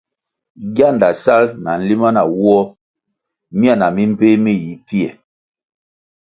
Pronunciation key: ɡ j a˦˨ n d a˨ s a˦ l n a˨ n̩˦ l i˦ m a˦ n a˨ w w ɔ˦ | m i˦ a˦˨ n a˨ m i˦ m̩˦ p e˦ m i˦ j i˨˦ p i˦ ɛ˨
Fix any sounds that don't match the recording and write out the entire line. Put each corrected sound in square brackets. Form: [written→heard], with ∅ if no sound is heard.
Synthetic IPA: ɡ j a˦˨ n d a˨ s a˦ l n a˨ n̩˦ l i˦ m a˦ n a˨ w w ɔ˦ | m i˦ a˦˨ n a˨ m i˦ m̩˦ p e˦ m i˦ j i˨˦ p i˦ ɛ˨